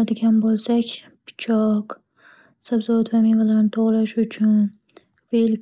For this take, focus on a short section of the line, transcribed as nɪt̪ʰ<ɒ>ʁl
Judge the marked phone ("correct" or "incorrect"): incorrect